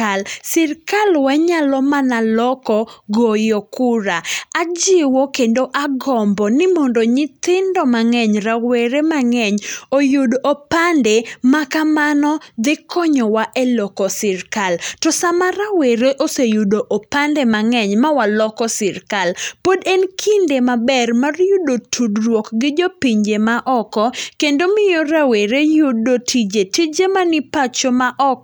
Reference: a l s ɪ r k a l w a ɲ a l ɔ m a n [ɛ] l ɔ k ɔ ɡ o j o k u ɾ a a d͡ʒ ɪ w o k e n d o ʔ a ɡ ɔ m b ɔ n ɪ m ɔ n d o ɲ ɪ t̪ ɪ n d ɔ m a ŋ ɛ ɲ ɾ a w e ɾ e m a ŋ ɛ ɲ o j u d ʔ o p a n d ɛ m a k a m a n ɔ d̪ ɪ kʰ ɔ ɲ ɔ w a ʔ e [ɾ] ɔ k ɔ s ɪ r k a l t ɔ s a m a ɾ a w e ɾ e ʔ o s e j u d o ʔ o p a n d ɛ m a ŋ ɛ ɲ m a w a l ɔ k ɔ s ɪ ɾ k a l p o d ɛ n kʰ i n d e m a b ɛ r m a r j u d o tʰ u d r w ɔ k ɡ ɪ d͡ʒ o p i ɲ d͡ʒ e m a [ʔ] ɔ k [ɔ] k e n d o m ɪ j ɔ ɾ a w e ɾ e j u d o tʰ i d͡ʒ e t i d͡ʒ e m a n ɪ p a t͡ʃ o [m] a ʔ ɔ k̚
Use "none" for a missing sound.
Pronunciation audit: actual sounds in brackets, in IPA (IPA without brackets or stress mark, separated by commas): a, l, ʔ, ɔ, m